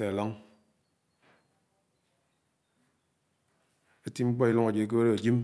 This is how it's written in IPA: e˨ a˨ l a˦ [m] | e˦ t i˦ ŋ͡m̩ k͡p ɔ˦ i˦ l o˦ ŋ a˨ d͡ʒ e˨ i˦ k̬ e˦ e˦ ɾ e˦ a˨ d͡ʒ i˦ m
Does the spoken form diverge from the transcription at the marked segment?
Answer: yes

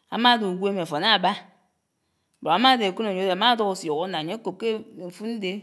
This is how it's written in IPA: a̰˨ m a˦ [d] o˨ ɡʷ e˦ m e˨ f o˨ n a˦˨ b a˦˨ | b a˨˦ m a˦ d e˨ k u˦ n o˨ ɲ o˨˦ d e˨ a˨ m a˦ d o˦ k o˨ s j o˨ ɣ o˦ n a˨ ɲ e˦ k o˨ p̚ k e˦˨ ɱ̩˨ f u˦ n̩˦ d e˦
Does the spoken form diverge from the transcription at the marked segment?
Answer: no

